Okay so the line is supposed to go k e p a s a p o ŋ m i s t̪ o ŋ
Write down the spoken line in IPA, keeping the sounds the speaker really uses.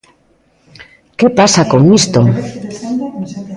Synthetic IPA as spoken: k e p a s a k o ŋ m i s t̪ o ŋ